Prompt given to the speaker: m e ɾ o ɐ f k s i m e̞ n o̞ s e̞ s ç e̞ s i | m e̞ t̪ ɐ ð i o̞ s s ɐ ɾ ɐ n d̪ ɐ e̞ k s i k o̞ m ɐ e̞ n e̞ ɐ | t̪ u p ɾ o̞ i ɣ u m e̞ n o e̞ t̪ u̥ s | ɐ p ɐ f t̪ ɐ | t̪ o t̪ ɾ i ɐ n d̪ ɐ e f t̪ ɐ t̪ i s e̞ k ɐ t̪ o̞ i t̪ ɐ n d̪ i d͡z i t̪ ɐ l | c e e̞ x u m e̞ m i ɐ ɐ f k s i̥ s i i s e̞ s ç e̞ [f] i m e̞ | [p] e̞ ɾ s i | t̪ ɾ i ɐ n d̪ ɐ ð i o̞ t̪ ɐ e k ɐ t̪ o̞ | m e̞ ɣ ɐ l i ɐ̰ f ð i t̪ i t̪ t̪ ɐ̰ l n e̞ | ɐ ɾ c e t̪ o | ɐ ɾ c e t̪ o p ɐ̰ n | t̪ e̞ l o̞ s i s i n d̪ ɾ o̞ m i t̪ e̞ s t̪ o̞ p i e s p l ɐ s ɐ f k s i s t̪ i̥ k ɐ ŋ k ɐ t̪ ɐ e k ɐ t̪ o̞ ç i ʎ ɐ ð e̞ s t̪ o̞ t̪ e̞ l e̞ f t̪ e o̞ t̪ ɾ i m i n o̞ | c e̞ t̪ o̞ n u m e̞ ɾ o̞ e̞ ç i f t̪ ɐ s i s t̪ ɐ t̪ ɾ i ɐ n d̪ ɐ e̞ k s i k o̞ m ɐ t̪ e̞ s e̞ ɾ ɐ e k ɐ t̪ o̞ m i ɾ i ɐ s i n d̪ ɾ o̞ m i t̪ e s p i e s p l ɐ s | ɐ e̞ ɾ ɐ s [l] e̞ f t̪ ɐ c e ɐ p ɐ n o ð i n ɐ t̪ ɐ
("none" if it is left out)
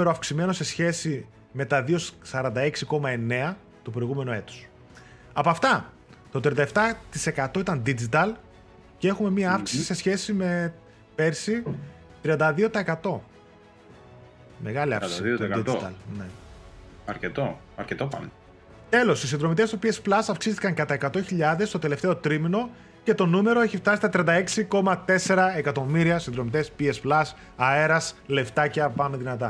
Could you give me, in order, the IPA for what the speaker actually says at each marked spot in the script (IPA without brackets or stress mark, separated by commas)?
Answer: s, p, l